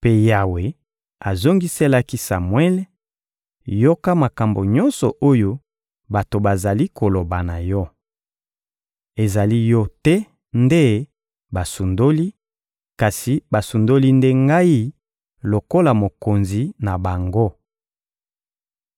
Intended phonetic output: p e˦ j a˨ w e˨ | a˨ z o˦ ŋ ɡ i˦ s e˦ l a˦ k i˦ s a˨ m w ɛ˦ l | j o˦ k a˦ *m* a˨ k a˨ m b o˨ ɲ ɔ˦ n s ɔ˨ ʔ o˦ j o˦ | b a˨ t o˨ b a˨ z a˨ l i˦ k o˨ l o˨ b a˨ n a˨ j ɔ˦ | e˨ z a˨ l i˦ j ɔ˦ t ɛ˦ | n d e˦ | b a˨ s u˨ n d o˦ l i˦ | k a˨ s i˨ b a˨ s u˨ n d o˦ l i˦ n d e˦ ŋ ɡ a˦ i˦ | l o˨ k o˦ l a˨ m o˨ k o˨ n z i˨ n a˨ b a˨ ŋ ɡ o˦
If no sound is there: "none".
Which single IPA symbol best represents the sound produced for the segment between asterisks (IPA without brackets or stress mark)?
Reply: m